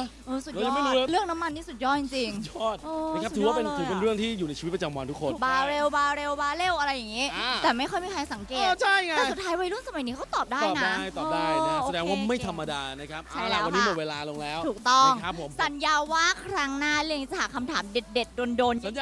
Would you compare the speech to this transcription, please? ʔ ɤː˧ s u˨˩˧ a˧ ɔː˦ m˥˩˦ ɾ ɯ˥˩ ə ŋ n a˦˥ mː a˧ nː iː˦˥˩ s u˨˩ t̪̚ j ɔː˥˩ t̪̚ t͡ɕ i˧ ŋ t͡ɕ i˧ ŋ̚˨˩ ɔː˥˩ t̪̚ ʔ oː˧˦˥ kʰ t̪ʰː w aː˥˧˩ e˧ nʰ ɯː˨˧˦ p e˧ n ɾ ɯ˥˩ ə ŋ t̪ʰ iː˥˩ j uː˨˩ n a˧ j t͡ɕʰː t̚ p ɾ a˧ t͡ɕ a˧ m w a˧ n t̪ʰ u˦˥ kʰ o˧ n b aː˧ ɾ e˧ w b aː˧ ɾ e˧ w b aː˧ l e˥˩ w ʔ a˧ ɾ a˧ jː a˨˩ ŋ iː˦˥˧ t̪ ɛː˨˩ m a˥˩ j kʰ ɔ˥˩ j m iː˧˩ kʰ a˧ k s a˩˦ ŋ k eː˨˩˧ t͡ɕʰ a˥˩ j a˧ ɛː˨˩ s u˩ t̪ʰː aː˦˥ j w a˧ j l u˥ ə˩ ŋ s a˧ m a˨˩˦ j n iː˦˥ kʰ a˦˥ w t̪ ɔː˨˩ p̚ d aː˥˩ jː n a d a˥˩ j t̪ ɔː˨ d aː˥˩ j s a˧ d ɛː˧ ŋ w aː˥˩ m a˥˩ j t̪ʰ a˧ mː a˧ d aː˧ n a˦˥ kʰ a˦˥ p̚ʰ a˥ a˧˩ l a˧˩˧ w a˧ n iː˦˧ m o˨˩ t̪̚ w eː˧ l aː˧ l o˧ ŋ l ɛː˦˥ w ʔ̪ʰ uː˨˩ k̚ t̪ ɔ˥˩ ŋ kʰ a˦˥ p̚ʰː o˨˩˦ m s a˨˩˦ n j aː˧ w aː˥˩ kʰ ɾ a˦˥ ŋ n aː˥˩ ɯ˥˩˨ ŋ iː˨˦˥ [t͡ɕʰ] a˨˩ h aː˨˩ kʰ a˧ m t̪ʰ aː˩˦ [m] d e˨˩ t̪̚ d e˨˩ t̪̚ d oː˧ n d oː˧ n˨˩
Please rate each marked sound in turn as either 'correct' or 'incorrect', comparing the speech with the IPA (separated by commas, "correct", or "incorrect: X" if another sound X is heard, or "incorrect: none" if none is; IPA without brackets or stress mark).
incorrect: t͡ɕ, correct